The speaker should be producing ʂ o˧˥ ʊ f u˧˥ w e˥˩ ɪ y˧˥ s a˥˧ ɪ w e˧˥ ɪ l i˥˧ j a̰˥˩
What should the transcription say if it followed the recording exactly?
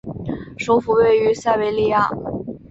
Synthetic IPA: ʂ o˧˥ ʊ f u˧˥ w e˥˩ ɪ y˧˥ s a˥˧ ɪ w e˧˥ ɪ l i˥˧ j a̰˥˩

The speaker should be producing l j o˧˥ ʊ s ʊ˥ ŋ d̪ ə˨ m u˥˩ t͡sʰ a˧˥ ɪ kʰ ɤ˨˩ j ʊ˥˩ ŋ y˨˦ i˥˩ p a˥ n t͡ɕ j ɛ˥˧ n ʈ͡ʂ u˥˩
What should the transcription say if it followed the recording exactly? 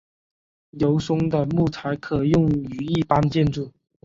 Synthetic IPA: l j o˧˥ ʊ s ʊ˥ ŋ d̪ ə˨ m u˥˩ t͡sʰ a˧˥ ɪ kʰ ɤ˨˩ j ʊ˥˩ ŋ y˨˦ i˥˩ p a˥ n t͡ɕ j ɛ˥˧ n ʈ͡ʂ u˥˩

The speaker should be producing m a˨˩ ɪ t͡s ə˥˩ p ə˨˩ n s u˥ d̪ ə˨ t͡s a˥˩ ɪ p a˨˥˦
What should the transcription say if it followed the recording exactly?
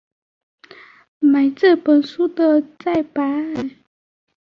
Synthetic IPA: m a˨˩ ɪ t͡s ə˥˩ p ə˨˩ n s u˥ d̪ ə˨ t͡s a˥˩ ɪ p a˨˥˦

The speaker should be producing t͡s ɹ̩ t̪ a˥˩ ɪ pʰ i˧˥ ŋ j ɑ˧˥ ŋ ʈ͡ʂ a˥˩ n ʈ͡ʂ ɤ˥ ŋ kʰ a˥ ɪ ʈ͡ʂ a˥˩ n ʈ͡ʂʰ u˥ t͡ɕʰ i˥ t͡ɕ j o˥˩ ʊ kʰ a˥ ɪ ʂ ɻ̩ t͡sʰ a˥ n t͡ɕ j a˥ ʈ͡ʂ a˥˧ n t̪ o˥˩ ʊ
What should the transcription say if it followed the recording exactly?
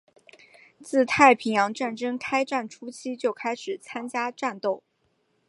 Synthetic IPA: t͡s ɹ̩ t̪ʰ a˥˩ ɪ pʰ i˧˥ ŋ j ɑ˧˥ ŋ ʈ͡ʂ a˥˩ n ʈ͡ʂ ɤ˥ ŋ kʰ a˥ ɪ ʈ͡ʂ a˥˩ n ʈ͡ʂʰ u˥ t͡ɕʰ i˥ t͡ɕ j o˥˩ ʊ kʰ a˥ ɪ ʂ ɻ̩ t͡sʰ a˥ n t͡ɕ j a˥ ʈ͡ʂ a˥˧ n t̪ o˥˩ ʊ

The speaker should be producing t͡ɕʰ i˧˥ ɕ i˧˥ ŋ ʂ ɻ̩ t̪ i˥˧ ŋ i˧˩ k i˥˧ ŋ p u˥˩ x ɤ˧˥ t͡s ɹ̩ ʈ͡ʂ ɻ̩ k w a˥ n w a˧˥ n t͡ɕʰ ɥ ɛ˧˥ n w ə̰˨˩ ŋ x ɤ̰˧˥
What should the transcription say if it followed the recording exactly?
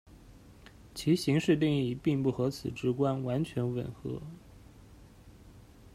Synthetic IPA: t͡ɕʰ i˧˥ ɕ i˧˥ ŋ ʂ ɻ̩ t̪ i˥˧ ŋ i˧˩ p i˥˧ ŋ p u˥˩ x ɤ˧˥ t͡sʰ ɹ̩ ʈ͡ʂ ɻ̩ k w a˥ n w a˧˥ n t͡ɕʰ ɥ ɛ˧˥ n w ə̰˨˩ n x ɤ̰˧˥

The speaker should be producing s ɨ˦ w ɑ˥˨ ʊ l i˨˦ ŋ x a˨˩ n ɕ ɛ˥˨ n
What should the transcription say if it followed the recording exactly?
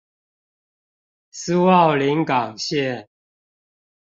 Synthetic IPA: s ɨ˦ w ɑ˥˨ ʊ l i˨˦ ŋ k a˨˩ ŋ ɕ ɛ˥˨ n

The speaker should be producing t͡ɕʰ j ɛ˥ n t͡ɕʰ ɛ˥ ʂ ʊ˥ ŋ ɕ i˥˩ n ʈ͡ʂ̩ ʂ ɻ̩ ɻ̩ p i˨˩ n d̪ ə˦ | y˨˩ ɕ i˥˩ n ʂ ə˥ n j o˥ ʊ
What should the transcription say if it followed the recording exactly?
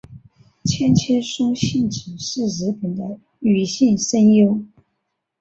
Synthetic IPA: t͡ɕʰ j ɛ˥ n t͡ɕʰ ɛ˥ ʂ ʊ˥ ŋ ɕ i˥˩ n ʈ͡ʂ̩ ʂ ɻ̩ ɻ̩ p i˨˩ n d̪ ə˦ | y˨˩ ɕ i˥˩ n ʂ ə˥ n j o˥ ʊ

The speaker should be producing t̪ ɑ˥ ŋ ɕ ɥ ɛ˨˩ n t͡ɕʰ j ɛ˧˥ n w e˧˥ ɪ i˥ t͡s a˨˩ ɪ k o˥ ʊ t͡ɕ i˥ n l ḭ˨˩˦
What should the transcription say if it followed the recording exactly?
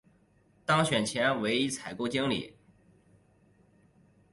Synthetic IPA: t̪ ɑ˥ ŋ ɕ ɥ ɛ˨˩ n t͡ɕʰ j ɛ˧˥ n w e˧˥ ɪ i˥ t͡sʰ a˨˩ ɪ k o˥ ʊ t͡ɕ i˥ ŋ l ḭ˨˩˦

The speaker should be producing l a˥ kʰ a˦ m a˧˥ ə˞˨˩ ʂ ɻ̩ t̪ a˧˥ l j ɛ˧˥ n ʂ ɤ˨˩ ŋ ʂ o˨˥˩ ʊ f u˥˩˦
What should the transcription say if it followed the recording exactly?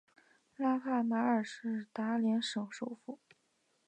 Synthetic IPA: l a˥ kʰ a˥˩ m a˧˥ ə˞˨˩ ʂ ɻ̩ t̪ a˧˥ l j ɛ˧˥ n ʂ ɤ˨˩ ŋ ʂ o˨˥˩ ʊ f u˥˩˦

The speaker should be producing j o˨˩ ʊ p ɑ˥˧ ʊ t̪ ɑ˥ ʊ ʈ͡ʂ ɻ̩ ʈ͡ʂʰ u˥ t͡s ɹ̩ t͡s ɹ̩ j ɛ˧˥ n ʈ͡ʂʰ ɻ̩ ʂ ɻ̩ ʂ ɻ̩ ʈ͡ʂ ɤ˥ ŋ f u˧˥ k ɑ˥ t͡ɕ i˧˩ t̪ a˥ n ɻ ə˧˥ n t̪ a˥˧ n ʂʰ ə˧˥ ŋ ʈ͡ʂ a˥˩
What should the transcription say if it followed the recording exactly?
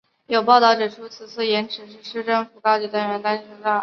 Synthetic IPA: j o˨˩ ʊ p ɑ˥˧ ʊ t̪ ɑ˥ ʊ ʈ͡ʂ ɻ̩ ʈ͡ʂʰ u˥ t͡sʰ ɹ̩ t͡sʰ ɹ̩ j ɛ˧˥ n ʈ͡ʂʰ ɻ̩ ʂ ɻ̩ ʂ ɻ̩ ʈ͡ʂ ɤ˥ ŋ f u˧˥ k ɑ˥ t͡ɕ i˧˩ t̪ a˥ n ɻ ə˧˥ n t̪ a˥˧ n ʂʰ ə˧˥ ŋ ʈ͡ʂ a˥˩

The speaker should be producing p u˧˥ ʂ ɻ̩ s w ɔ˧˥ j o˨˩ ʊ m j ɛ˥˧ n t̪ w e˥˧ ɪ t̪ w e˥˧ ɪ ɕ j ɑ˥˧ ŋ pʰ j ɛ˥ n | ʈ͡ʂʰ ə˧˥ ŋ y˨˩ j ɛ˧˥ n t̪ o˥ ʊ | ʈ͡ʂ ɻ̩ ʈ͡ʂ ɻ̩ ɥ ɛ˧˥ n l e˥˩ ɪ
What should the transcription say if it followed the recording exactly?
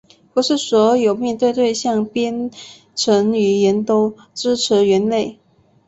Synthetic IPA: p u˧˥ ʂ ɻ̩ s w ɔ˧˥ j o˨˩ ʊ m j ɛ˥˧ n t̪ w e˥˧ ɪ t̪ w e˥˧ ɪ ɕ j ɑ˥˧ ŋ p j ɛ˥ n | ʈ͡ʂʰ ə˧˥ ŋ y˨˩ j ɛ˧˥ n t̪ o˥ ʊ | ʈ͡ʂ ɻ̩ ʈ͡ʂʰ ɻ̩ ɥ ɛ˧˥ n l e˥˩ ɪ

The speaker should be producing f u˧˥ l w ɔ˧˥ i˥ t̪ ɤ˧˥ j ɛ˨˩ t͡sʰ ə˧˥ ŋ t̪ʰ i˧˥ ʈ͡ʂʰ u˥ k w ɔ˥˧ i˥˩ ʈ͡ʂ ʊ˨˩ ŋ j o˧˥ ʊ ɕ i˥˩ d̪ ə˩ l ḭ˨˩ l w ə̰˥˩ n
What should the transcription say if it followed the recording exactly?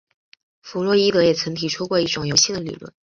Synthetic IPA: f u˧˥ l w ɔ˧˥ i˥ t̪ ɤ˧˥ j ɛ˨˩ t͡sʰ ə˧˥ ŋ t̪ʰ i˨˩ ʈ͡ʂʰ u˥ k w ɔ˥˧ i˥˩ ʈ͡ʂ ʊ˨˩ ŋ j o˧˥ ʊ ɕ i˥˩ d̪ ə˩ l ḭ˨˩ l w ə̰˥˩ n

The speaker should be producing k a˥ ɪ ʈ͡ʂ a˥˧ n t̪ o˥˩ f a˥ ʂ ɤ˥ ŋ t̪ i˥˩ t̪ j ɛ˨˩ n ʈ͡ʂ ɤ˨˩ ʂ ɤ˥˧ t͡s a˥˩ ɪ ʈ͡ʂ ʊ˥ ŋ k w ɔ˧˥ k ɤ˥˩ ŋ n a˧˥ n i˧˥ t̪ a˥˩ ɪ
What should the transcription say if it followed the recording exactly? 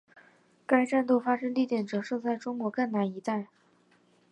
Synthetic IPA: k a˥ ɪ ʈ͡ʂ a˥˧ n t̪ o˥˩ f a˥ ʂ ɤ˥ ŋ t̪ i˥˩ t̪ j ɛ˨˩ n ʈ͡ʂ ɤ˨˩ ʂ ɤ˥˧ t͡s a˥˩ ɪ ʈ͡ʂ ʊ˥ ŋ k w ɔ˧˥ k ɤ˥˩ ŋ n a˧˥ n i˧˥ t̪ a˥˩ ɪ

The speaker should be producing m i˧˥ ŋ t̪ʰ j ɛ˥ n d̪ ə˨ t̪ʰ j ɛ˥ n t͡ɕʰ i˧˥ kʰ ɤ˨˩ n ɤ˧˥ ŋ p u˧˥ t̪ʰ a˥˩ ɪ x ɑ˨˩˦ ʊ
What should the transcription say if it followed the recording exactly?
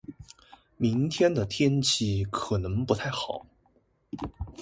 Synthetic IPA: m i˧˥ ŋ t̪ʰ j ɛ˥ n d̪ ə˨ t̪ʰ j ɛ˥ n t͡ɕʰ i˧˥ kʰ ɤ˨˩ n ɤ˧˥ ŋ p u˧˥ t̪ʰ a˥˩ ɪ x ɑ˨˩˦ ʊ

